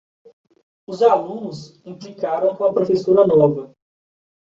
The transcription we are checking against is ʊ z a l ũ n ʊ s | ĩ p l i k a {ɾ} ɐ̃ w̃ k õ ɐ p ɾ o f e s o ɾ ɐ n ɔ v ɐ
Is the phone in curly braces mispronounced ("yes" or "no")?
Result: no